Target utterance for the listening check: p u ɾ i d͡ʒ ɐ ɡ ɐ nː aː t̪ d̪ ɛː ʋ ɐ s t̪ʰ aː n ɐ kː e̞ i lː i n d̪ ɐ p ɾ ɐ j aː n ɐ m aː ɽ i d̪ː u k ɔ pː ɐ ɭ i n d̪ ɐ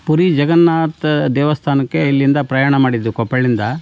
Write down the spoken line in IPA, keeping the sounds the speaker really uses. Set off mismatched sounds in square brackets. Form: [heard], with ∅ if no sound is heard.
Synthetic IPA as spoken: p u ɾ i d͡ʒ ɐ ɡ ɐ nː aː t̪ d̪ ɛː ʋ ɐ s t̪ʰ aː n ɐ kː e̞ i lː i n d̪ ɐ p ɾ ɐ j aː [ɳ] ɐ m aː ɽ i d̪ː u k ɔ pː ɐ ɭ i n d̪ ɐ